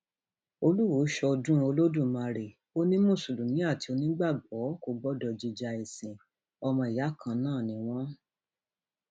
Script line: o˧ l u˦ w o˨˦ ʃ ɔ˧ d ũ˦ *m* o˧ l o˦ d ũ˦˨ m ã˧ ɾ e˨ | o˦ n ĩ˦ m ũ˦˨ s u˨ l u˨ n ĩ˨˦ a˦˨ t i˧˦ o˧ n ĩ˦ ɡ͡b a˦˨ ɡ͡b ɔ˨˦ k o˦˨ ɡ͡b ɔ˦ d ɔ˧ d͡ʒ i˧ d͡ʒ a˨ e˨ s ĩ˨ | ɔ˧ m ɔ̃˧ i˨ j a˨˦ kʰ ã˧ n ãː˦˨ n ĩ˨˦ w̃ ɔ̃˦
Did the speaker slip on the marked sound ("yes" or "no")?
yes